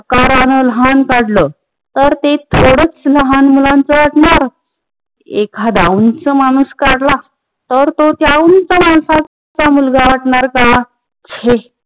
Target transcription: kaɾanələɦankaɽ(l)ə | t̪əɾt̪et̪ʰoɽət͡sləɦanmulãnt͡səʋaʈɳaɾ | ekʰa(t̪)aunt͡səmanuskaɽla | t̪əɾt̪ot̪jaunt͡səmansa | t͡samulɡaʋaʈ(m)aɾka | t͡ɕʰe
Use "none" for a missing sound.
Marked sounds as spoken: l, d̪, ɳ

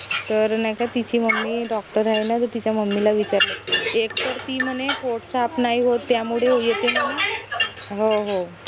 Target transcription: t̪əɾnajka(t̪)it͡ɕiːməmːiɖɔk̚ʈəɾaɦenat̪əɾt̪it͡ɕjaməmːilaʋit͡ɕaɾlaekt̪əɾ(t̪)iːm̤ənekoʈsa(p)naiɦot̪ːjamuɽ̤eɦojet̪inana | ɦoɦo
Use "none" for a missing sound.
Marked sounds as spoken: t̪, t̪, p

